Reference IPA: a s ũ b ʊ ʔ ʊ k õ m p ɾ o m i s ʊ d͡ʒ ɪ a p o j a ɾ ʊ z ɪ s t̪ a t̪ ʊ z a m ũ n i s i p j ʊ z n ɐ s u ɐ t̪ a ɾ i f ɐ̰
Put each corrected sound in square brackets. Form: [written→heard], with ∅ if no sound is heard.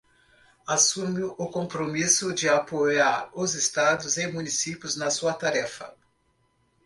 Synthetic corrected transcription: a s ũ [b→m] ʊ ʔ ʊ k õ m p ɾ o m i s ʊ d͡ʒ ɪ a p o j a ɾ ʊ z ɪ s t̪ a [t̪→d̪] ʊ z [a→e] m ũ n i s i p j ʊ z n ɐ s u ɐ t̪ a ɾ [i→ɛ] f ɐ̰